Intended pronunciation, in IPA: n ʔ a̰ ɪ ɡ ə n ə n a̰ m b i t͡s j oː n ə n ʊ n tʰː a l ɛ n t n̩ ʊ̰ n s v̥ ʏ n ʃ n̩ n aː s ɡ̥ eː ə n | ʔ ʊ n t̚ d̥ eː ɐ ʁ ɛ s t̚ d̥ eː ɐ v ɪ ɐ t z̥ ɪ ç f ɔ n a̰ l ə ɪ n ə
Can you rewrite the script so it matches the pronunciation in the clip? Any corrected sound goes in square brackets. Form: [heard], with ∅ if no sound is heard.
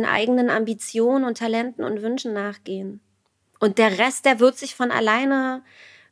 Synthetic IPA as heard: n ʔ a̰ ɪ ɡ ə n ə n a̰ m b i t͡s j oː n ə n ʊ n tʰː a l ɛ n t n̩ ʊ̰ n [t] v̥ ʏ n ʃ n̩ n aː [χ] ɡ̥ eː ə n | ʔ ʊ n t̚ d̥ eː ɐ ʁ ɛ s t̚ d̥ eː ɐ v ɪ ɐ t z̥ ɪ ç f ɔ n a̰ l [a] ɪ n ə